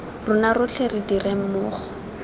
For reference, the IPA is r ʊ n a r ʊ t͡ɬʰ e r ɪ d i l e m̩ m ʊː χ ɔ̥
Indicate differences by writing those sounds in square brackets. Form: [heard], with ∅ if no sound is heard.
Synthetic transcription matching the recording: r ʊ n a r ʊ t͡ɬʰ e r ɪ d i [r] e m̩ m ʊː χ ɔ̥